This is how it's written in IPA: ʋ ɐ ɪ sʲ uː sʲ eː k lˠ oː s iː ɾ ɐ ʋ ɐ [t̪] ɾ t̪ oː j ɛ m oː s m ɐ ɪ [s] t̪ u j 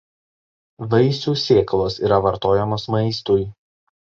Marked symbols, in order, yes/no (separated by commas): no, yes